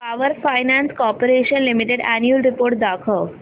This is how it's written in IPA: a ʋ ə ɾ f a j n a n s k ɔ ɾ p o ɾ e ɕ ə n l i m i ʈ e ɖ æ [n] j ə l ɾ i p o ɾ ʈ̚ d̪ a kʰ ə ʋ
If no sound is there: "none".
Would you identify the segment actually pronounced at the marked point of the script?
n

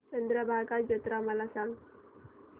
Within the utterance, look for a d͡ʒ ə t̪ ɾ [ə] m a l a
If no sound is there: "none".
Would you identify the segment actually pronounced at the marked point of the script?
a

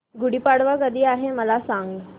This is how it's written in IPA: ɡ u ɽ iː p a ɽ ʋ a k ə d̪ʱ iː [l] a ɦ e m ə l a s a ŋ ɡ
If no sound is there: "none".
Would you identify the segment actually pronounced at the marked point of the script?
none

